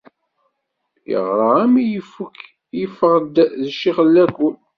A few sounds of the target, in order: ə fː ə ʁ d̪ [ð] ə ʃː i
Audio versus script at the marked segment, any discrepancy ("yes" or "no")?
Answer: no